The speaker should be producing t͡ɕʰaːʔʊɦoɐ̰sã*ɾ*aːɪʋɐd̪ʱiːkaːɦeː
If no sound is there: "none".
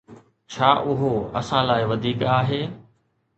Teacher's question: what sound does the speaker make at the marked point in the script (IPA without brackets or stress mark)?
l